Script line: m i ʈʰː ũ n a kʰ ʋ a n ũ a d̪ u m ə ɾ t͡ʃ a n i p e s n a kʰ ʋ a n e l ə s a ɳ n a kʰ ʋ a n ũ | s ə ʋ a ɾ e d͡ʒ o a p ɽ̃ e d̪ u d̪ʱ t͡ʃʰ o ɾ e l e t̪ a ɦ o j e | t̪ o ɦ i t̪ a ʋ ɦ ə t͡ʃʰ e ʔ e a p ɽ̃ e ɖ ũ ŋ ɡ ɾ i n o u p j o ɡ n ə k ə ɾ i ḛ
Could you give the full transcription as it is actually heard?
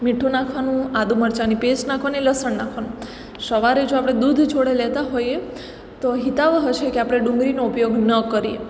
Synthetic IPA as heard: m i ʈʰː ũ n a kʰ ʋ a n ũ a d̪ u m ə ɾ t͡ʃ a n i p e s n a kʰ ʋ a n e l ə s ə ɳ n a kʰ ʋ a n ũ | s ə ʋ a ɾ e d͡ʒ o a p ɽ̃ e d̪ u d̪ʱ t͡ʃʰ o ɽ e l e t̪ a ɦ o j e | t̪ o ɦ i t̪ a ʋ ɦ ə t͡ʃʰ e k e a p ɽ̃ e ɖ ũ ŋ ɡ ɾ i n o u p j o ɡ n ə k ə ɾ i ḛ